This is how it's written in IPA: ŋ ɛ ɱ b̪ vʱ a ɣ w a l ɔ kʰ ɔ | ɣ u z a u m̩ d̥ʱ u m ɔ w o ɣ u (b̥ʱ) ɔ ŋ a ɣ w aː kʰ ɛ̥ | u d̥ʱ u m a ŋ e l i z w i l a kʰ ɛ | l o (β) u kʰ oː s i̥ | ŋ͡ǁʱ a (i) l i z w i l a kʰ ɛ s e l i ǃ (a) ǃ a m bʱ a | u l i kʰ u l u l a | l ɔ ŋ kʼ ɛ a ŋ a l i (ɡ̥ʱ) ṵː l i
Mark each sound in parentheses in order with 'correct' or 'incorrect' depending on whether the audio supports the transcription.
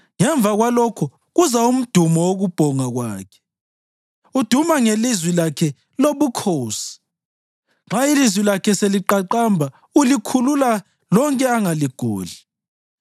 correct, correct, correct, correct, correct

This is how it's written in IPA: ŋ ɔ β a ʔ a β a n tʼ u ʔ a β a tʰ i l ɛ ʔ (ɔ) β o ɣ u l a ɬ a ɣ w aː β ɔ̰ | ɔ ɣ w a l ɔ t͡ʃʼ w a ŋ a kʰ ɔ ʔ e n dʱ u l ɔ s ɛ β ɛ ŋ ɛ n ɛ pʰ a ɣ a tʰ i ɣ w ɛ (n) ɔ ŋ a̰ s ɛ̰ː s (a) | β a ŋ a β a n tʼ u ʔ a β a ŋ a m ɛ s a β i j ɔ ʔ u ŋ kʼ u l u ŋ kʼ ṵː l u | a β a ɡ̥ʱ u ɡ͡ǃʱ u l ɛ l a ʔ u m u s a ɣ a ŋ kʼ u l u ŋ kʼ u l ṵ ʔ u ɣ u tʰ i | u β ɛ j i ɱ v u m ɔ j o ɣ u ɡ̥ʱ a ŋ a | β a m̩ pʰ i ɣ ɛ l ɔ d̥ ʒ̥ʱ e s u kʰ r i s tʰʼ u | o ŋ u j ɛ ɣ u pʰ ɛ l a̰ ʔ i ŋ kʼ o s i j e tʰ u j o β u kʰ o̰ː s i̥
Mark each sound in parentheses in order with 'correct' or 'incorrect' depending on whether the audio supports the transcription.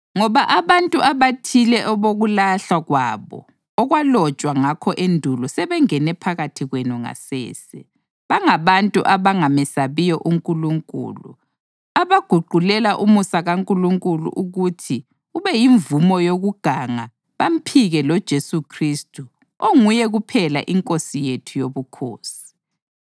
correct, correct, incorrect: ɛ

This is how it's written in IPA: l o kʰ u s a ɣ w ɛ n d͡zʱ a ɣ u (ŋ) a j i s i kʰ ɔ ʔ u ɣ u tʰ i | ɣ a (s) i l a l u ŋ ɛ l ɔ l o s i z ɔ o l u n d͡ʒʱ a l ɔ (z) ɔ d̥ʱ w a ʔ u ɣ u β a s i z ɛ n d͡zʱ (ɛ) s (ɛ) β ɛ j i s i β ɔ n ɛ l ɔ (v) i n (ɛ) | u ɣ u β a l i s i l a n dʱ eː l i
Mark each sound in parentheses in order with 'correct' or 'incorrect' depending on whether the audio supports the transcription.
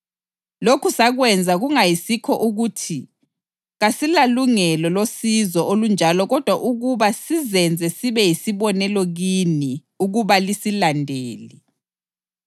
correct, correct, incorrect: ɣ, correct, incorrect: i, incorrect: ɣ, incorrect: i

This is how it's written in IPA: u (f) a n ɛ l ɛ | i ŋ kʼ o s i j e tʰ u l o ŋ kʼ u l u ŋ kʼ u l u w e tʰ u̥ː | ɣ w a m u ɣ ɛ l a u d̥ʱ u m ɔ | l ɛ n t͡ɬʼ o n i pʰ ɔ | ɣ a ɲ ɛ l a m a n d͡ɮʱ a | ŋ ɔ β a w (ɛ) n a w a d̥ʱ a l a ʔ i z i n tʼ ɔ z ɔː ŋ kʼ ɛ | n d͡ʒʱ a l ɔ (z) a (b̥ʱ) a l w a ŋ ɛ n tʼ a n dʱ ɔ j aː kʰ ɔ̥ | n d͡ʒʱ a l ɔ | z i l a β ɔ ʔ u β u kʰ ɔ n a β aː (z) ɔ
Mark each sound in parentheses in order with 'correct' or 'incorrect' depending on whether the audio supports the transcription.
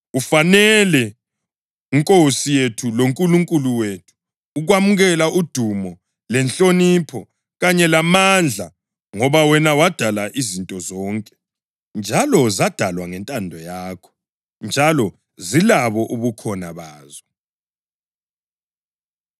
correct, correct, correct, incorrect: d̥ʱ, correct

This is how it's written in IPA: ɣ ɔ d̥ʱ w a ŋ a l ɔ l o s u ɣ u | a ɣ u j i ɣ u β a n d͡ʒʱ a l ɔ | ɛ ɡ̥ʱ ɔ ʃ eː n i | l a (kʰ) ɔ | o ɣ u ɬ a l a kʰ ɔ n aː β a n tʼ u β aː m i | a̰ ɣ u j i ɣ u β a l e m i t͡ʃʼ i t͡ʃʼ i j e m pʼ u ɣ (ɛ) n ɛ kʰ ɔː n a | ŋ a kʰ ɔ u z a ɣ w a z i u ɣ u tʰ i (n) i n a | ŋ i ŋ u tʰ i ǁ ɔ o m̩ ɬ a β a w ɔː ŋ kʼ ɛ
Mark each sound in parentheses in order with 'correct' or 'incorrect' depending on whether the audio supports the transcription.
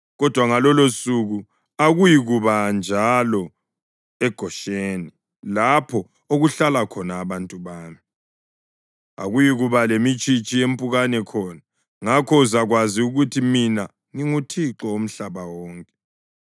incorrect: pʰ, incorrect: a, incorrect: m

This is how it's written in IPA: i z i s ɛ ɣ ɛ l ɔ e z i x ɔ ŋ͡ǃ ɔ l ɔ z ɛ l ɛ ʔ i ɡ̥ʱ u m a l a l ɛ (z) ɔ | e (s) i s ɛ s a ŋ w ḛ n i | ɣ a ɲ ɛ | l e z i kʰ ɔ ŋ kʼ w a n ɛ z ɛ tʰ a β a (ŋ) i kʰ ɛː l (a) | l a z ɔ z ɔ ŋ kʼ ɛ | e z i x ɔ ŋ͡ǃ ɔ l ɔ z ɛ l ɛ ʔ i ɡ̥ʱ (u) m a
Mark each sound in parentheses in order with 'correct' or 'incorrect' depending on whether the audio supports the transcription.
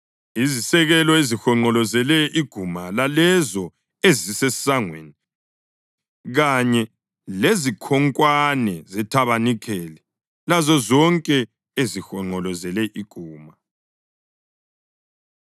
correct, incorrect: z, incorrect: n, incorrect: ɛ, incorrect: uː

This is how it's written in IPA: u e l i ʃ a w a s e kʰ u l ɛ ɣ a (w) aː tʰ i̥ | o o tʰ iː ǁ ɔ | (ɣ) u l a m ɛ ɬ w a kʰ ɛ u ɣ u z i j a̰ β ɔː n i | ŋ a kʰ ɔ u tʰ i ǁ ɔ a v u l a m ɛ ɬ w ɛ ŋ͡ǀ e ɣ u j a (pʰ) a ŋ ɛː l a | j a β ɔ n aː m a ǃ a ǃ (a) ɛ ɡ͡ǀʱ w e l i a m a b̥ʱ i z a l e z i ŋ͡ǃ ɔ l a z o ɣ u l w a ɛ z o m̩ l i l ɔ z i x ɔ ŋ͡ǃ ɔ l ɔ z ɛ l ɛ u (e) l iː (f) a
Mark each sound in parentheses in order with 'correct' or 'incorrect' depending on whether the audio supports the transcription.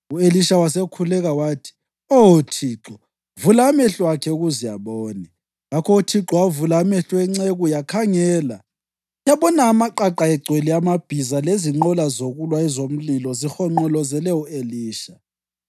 correct, incorrect: v, incorrect: kʰ, correct, correct, incorrect: ʃ

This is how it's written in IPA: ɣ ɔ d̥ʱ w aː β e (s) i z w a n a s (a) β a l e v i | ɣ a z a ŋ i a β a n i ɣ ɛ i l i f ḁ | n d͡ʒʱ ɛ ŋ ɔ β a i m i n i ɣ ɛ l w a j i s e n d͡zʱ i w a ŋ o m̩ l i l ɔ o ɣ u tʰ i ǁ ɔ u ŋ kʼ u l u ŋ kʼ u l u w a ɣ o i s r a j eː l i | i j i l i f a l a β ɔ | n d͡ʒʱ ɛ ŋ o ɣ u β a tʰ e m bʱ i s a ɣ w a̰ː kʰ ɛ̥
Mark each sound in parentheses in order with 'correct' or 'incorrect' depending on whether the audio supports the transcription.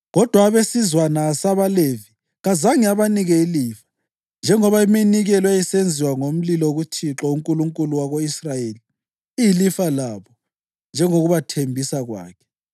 correct, correct

